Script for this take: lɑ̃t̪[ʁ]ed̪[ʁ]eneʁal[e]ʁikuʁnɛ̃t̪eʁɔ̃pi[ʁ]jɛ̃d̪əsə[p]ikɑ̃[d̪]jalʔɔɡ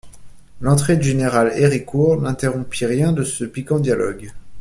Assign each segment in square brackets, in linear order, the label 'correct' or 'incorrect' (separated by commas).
incorrect, incorrect, correct, correct, correct, correct